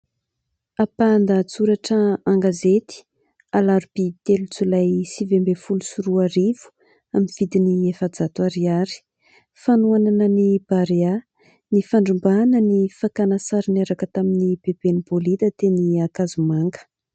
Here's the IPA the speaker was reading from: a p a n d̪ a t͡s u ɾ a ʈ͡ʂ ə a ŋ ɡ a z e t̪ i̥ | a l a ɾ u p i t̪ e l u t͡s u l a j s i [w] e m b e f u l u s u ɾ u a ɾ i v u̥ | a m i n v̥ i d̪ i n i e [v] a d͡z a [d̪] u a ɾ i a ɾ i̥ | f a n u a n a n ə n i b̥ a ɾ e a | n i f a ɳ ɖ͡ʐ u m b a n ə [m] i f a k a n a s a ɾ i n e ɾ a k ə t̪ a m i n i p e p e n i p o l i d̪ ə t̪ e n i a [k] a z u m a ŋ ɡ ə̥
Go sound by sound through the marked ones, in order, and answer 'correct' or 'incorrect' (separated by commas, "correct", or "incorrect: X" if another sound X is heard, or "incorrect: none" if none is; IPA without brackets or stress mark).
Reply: incorrect: v, incorrect: f, incorrect: t̪, incorrect: n, correct